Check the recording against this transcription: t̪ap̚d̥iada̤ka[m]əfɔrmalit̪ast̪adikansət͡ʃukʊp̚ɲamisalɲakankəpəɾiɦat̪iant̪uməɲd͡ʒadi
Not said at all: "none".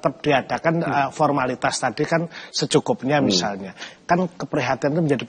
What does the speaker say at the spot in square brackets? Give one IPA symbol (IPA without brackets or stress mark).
n